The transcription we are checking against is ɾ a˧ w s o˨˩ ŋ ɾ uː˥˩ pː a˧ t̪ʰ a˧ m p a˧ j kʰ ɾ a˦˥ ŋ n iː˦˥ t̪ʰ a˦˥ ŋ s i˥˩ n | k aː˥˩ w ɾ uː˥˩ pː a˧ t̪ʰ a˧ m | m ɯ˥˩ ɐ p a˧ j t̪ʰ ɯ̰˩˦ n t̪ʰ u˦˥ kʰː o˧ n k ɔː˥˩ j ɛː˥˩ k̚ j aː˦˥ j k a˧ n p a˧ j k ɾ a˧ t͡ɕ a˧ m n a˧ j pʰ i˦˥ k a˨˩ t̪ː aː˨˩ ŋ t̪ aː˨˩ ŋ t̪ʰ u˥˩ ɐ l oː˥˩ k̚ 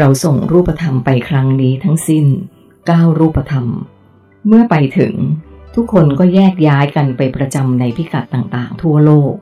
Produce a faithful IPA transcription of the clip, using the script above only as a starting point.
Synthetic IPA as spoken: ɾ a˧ w s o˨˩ ŋ ɾ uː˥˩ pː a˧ t̪ʰ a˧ m p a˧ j kʰ ɾ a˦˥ ŋ n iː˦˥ t̪ʰ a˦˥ ŋ s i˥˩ n | k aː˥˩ w ɾ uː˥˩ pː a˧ t̪ʰ a˧ m | m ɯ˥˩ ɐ p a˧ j t̪ʰ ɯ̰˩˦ ŋ t̪ʰ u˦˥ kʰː o˧ n k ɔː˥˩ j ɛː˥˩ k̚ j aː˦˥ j k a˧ n p a˧ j p ɾ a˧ t͡ɕ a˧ m n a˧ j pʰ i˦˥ k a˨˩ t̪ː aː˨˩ ŋ t̪ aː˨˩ ŋ t̪ʰ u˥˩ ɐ l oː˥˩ k̚